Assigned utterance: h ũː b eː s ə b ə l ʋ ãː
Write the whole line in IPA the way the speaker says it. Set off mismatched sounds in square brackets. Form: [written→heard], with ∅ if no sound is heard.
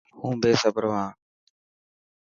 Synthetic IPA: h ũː b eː s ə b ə [l→ɾ] ʋ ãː